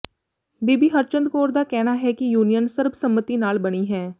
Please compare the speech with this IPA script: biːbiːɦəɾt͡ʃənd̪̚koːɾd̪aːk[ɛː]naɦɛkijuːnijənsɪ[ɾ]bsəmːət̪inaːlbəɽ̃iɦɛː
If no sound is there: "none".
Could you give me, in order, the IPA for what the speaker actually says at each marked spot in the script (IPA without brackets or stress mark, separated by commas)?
ɛː, ɾ